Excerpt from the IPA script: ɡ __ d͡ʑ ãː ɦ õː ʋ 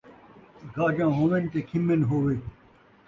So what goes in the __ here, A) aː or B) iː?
A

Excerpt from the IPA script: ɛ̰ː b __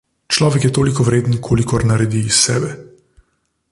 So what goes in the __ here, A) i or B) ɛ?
B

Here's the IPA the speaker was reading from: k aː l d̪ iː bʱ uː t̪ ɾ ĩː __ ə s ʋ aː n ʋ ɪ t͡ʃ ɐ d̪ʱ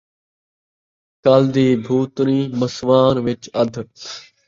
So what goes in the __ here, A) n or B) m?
B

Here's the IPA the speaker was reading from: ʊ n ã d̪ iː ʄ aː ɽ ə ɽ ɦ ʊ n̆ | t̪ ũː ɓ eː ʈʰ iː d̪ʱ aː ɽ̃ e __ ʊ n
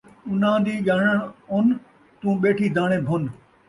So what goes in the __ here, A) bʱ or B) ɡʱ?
A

